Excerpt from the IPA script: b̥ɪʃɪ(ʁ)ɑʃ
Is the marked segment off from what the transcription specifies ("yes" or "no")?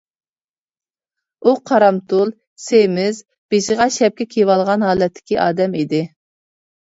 no